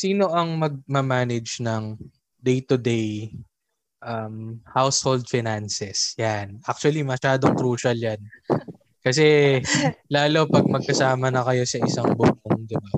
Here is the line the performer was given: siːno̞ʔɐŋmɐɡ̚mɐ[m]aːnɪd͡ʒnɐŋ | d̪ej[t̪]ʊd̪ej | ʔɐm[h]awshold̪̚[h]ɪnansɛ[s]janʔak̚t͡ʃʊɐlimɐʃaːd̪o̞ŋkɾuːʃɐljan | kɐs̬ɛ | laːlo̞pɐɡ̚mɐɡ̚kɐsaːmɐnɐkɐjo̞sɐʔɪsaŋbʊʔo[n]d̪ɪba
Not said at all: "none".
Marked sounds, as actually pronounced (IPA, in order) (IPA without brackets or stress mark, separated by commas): m, t̪, h, f, s, ŋ